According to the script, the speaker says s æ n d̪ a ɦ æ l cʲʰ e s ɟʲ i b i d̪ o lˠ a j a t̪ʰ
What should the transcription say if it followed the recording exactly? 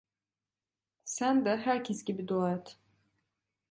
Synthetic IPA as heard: s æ n d̪ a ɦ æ ɾ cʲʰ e s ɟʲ i b i d̪ o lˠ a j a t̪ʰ